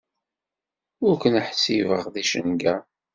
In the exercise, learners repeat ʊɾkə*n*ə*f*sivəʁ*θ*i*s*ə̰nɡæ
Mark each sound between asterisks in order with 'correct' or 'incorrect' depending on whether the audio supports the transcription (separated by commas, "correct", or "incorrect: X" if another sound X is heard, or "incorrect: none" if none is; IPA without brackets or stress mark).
correct, incorrect: ħ, incorrect: ð, incorrect: ʃ